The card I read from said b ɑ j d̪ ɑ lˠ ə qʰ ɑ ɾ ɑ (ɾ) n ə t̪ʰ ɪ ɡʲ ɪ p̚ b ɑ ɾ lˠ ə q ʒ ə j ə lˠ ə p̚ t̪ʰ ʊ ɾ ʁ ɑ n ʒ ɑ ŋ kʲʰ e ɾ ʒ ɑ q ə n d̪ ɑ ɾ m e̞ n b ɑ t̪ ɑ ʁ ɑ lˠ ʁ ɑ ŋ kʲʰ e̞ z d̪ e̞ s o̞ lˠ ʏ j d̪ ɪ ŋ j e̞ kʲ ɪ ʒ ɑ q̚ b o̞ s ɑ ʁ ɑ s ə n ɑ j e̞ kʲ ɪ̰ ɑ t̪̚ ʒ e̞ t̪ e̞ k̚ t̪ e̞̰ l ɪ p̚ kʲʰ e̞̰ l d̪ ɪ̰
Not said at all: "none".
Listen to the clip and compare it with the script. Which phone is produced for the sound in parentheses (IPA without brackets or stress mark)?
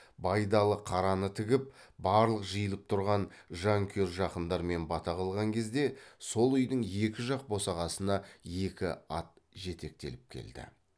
none